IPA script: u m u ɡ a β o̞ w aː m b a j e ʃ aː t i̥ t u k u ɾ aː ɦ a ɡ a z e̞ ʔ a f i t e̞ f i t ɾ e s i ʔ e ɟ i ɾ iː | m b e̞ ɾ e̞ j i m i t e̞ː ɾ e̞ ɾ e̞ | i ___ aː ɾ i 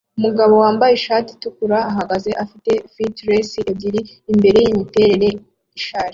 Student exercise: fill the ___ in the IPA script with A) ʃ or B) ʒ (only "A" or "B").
A